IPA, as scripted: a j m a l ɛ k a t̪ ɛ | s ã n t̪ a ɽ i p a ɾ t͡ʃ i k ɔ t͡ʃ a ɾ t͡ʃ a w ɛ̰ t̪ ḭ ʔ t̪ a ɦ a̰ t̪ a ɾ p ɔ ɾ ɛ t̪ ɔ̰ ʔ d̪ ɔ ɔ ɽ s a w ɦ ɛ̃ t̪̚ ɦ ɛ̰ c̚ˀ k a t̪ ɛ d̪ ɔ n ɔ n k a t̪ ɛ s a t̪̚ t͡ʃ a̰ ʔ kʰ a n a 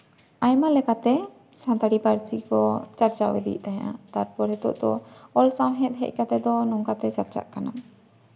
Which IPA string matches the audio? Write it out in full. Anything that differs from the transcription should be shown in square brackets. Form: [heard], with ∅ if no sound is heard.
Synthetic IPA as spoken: a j m a l ɛ k a t̪ ɛ | s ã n t̪ a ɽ i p a ɾ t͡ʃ i k ɔ t͡ʃ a ɾ t͡ʃ a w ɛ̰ [d̪] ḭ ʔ t̪ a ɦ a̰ t̪ a ɾ p ɔ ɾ ɛ t̪ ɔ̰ ʔ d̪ ɔ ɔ [l] s a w ɦ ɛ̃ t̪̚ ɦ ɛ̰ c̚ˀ k a t̪ ɛ d̪ ɔ n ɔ [ŋ] k a t̪ ɛ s a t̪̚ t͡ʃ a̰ ʔ [k] a n a